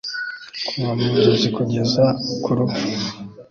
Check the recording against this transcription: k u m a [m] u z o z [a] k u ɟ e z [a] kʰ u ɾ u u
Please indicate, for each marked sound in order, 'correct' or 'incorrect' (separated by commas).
correct, incorrect, correct